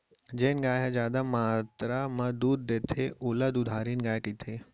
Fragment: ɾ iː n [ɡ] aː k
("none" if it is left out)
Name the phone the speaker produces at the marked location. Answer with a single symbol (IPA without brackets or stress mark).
ɡ